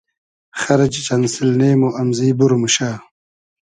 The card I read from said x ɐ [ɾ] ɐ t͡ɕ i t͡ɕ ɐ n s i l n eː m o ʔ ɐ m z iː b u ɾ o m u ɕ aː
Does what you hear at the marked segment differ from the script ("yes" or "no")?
no